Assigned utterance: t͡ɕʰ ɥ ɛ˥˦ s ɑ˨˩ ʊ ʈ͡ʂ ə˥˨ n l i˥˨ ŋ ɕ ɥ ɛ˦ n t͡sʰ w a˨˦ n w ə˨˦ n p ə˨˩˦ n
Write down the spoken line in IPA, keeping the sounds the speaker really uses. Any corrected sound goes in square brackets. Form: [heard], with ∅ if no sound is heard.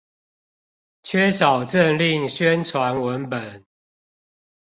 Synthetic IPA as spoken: t͡ɕʰ ɥ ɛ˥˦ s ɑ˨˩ ʊ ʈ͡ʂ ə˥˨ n l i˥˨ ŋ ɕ ɥ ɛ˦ n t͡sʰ w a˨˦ n w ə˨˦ n p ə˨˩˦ n